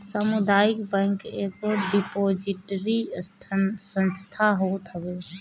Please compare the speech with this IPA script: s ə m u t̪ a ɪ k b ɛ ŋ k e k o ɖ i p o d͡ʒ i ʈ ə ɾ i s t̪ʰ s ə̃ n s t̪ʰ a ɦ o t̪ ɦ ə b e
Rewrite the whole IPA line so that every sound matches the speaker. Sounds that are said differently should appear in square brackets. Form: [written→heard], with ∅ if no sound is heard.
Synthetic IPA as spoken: s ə m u [t̪→d̪] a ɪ k b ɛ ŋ k e k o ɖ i p o d͡ʒ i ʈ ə ɾ i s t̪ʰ s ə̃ n s t̪ʰ a ɦ o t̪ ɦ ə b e